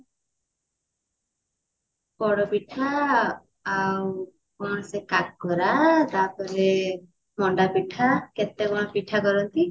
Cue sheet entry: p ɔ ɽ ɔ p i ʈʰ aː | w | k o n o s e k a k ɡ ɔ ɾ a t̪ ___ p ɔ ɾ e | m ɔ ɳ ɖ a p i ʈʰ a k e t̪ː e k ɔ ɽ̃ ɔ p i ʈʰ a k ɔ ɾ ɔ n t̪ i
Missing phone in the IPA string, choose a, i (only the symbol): a